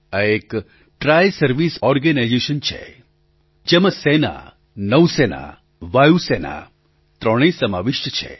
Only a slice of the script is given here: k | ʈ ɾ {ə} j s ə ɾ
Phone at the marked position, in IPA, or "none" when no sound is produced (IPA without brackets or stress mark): a